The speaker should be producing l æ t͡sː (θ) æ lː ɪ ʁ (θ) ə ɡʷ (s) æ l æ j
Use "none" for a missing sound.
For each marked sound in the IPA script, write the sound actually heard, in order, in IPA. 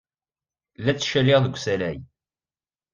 ʃ, ð, s

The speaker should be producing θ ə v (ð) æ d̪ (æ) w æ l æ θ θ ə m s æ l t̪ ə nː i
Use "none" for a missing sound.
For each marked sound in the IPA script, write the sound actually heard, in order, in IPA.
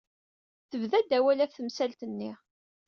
ð, æ

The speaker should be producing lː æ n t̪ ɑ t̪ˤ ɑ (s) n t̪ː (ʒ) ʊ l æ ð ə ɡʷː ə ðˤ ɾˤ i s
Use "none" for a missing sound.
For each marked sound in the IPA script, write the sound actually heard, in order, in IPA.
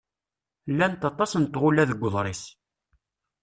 s, ʁ

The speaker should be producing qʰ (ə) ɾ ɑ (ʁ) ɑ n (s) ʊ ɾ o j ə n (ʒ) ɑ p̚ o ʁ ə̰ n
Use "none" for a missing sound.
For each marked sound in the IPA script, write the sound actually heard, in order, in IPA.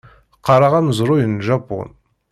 ɑ, ʁ, z, ʒ

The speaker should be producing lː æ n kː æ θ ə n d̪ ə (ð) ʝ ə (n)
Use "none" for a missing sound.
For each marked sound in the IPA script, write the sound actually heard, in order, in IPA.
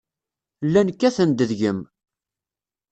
ð, m

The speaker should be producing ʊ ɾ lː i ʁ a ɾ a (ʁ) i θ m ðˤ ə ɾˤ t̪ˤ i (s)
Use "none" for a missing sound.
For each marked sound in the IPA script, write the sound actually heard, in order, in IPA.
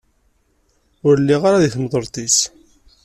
ð, s

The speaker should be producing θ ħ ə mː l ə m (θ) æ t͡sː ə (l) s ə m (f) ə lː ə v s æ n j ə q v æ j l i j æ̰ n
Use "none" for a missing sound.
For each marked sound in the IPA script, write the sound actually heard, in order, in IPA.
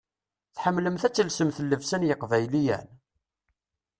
θ, l, θ

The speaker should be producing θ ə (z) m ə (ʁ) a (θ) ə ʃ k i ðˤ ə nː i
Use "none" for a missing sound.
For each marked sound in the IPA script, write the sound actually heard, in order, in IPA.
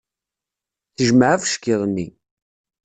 ʒ, ʕ, f

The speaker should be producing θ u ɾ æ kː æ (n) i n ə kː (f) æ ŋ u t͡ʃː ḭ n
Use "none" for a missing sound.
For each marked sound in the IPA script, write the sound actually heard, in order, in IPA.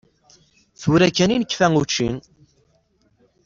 n, f

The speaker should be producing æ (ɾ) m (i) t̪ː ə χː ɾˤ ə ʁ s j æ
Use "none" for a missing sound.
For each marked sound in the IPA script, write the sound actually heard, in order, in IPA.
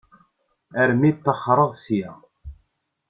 ɾ, i

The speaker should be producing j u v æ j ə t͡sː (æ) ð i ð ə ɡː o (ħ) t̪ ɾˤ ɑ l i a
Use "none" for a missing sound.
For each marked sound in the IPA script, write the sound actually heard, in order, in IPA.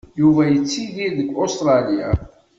i, s

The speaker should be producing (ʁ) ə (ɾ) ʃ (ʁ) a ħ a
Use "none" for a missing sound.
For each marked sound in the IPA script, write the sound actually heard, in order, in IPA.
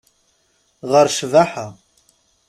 ʁ, ɾ, v

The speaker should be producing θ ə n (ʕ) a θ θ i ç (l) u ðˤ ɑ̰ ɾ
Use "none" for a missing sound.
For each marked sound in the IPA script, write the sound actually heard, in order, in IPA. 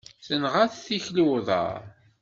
ʁ, l

